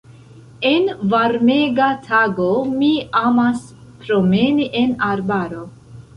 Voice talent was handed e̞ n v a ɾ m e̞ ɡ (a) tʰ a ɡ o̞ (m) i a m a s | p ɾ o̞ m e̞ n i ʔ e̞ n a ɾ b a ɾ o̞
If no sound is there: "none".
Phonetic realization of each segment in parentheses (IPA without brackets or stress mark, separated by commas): a, m